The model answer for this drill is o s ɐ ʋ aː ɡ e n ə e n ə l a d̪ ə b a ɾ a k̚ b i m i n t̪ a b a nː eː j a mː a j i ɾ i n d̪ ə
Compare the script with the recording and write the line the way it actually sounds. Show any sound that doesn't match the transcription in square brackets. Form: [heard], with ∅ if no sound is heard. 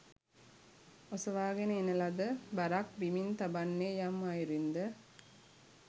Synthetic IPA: o s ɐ ʋ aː ɡ e n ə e n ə l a d̪ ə b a ɾ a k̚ b i m i n t̪ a b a nː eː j a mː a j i ɾ i n d̪ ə